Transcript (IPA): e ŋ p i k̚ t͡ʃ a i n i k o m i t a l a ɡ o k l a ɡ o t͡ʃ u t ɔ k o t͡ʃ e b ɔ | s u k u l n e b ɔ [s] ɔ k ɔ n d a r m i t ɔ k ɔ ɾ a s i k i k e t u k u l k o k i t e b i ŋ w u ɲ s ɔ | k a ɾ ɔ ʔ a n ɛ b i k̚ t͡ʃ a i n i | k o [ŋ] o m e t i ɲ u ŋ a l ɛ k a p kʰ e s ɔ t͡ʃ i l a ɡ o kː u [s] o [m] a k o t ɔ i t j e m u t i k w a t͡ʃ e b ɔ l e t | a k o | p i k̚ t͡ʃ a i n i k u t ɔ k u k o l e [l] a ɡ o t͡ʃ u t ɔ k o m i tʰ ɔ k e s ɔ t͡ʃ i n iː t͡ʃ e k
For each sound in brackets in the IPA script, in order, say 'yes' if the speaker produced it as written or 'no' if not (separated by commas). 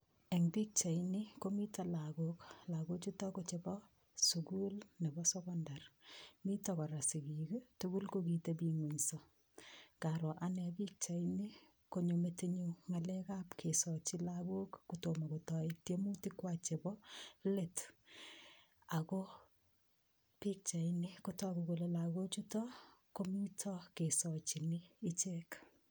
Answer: yes, no, no, yes, yes